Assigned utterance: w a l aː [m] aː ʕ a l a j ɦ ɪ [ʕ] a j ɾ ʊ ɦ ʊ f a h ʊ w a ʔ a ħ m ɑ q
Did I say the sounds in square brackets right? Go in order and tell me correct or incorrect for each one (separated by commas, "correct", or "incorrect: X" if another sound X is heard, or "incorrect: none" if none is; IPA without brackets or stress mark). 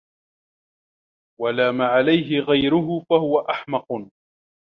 correct, incorrect: ɣ